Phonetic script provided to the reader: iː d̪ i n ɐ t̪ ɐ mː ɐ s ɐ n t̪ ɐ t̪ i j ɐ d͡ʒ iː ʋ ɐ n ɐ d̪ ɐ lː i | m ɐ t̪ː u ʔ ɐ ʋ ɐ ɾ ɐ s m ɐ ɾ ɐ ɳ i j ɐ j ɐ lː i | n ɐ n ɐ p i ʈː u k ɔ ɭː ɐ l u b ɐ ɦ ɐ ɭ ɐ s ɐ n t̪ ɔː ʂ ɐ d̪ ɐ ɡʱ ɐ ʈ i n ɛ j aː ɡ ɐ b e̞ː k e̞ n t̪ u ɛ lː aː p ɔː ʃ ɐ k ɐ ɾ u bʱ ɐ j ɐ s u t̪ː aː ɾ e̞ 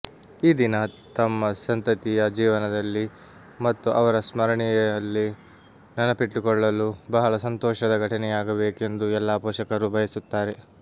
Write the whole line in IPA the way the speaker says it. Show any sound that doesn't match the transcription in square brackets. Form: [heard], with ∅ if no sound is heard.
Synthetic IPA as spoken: iː d̪ i n ɐ t̪ ɐ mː ɐ s ɐ n t̪ ɐ t̪ i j ɐ d͡ʒ iː ʋ ɐ n ɐ d̪ ɐ lː i | m ɐ t̪ː u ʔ ɐ ʋ ɐ ɾ ɐ s m ɐ ɾ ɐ ɳ i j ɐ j ɐ lː i | n ɐ n ɐ p i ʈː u k ɔ ɭː ɐ l u b ɐ ɦ ɐ ɭ ɐ s ɐ n t̪ ɔː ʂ ɐ d̪ ɐ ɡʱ ɐ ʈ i n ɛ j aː ɡ ɐ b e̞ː k e̞ n [d̪] u ɛ lː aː p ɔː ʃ ɐ k ɐ ɾ u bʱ ɐ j ɐ s u t̪ː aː ɾ e̞